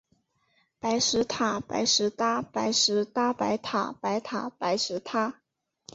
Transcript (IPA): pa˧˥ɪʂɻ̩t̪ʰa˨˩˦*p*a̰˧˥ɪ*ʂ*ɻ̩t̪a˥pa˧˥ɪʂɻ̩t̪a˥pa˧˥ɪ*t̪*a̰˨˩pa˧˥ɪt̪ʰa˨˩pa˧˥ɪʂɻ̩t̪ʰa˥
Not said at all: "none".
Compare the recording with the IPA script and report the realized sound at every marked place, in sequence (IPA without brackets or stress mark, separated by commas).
p, ʂ, t̪ʰ